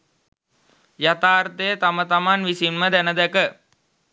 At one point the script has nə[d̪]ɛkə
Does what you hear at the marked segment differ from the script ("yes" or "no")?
no